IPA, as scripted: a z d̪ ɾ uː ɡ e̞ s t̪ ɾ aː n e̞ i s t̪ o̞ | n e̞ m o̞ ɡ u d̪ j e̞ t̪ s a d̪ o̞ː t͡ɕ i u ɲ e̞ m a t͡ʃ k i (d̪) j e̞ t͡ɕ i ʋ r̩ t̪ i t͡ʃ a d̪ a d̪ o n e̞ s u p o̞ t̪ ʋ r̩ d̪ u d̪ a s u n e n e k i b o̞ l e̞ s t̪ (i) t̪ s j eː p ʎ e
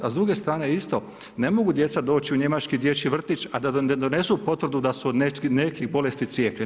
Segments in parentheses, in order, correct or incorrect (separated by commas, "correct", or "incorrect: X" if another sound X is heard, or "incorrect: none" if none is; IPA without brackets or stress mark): correct, correct